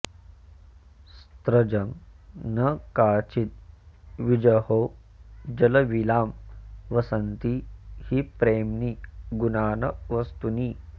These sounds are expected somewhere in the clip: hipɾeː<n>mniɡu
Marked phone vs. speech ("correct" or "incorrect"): incorrect